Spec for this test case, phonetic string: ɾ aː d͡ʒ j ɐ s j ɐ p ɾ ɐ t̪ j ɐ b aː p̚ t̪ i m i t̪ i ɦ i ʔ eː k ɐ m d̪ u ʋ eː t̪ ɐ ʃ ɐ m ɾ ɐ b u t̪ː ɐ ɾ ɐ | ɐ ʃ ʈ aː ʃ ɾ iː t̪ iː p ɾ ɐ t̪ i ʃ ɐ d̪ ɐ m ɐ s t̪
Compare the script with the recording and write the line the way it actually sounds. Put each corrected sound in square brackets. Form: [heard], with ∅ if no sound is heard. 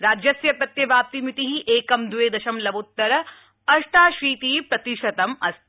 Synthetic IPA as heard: ɾ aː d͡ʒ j ɐ s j ɐ p ɾ ɐ t̪ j ɐ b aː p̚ t̪ i m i t̪ i ɦ i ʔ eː k ɐ m d̪ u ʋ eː [d̪] ɐ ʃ ɐ m [l] ɐ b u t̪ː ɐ ɾ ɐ | ɐ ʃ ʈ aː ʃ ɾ iː t̪ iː p ɾ ɐ t̪ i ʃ ɐ [t̪] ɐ m ɐ s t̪